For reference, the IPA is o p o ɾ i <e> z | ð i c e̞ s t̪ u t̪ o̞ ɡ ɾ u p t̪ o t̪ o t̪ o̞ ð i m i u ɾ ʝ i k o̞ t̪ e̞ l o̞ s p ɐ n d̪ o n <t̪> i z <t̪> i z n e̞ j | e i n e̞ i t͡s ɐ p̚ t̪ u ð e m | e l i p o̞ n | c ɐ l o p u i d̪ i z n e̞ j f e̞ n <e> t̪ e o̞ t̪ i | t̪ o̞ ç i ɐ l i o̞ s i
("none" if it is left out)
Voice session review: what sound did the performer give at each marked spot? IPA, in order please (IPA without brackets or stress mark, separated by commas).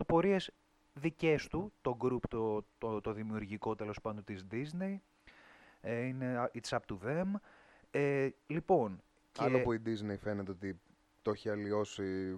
e, t̪, d̪, e